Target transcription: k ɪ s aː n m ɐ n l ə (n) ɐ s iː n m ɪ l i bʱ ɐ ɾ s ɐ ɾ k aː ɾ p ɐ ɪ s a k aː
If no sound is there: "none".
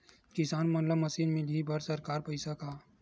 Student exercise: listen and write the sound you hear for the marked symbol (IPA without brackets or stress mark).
m